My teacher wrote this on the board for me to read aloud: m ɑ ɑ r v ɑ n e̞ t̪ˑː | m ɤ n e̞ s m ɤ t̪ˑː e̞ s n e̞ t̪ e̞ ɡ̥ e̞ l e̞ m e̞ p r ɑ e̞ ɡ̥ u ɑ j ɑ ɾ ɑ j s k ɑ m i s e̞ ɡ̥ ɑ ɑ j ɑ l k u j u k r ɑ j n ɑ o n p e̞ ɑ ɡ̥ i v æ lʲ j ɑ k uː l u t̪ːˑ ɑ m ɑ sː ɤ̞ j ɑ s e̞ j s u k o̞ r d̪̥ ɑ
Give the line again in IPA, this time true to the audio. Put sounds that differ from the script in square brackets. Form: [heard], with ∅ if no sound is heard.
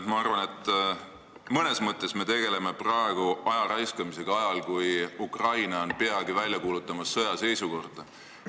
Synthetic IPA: m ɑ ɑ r v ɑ n e̞ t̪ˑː | m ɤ n e̞ s m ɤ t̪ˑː e̞ s [m] e̞ t̪ e̞ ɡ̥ e̞ l e̞ m e̞ p r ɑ e̞ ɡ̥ u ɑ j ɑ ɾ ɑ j s k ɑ m i s e̞ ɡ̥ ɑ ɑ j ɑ l k u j u k r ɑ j n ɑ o n p e̞ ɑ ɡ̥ i v æ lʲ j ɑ k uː l u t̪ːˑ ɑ m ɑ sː ɤ̞ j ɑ s e̞ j s u k o̞ r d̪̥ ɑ

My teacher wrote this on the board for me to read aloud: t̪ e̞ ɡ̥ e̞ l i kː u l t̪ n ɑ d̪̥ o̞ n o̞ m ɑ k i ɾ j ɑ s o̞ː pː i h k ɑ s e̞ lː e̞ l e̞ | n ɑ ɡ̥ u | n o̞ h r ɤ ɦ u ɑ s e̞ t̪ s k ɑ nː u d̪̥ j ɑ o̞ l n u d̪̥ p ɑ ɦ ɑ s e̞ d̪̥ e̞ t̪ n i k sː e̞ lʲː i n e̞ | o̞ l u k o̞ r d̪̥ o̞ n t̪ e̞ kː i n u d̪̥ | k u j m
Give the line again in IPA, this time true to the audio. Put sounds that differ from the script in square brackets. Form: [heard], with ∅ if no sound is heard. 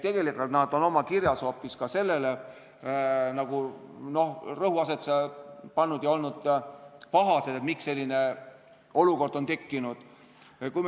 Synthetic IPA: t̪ e̞ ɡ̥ e̞ l i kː u l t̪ n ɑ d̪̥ o̞ n o̞ m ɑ k i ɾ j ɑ s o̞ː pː i [s] k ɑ s e̞ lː e̞ l e̞ | n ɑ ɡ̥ u | n o̞ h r ɤ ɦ u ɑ s e̞ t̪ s [p] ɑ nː u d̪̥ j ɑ o̞ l n u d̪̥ p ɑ ɦ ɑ s e̞ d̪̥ e̞ t̪ [m] i k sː e̞ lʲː i n e̞ | o̞ l u k o̞ r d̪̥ o̞ n t̪ e̞ kː i n u d̪̥ | k u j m

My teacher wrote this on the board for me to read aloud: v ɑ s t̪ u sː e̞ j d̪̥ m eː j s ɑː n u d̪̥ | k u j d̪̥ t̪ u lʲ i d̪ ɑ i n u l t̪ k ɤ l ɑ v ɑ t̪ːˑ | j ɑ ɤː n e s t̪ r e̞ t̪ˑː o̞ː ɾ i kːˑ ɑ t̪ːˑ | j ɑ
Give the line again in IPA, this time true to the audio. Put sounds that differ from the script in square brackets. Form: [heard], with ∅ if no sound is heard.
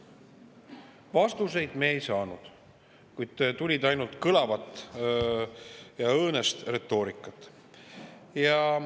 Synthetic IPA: v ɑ s t̪ u [s] e̞ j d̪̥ m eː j s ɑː n u d̪̥ | k u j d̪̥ t̪ u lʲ i d̪ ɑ [j] n u l t̪ k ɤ l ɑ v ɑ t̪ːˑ | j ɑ ɤː n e s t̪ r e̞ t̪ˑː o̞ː ɾ i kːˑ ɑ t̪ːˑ | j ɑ

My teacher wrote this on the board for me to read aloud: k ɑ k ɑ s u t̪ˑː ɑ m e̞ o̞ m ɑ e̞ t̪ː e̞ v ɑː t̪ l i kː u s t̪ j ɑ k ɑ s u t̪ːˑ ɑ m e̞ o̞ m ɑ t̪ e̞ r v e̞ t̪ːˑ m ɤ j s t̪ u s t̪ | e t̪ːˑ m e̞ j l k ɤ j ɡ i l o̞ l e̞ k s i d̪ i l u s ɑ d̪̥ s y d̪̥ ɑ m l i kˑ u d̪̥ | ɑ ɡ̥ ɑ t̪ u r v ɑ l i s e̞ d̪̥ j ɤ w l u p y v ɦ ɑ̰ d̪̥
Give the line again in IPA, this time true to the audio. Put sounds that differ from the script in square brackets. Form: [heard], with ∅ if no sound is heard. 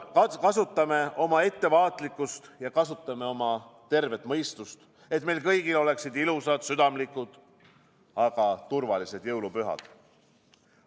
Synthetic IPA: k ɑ k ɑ s u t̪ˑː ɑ m e̞ o̞ m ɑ e̞ t̪ː e̞ v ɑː t̪ l i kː u s t̪ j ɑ k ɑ s u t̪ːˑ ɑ m e̞ o̞ m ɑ t̪ e̞ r v e̞ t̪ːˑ m ɤ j s t̪ u s t̪ | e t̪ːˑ m e̞ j l k ɤ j ɡ i l o̞ l e̞ k s i d̪ i l u s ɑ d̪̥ s y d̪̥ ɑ m l i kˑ u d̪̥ | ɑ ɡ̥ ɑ t̪ u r v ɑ l i s e̞ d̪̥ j ɤ w l u p y [∅] ɦ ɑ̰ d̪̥

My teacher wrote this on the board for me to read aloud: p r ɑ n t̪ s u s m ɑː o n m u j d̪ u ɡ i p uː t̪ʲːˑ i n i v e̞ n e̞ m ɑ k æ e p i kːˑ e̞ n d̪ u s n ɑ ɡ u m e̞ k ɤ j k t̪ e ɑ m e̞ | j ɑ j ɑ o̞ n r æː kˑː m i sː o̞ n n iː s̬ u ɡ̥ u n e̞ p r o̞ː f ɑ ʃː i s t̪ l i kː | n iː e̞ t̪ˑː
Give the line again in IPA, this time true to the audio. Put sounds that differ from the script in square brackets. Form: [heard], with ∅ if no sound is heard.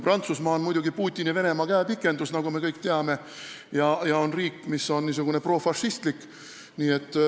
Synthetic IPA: p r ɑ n t̪ s u s m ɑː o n m u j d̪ u ɡ i p uː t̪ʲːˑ i n i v e̞ n e̞ m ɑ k æ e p i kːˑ e̞ n d̪ u s n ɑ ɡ u m e̞ k ɤ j k t̪ e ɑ m e̞ | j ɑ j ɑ o̞ n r [iː] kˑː m i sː o̞ n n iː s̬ u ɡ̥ u n e̞ p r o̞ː f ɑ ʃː i s t̪ l i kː | n iː e̞ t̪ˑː

